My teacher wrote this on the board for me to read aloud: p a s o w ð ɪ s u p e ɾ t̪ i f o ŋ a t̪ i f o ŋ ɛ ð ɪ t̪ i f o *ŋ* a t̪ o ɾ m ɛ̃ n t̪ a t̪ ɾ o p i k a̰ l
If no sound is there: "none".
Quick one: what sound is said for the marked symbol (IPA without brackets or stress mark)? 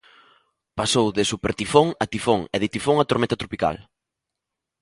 ŋ